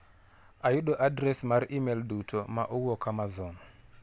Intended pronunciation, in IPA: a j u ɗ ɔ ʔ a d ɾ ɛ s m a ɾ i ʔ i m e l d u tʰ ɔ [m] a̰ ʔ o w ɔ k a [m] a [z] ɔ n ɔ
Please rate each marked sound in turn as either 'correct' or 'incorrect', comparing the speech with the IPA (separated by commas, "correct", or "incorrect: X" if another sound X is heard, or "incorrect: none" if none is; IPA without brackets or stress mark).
correct, correct, correct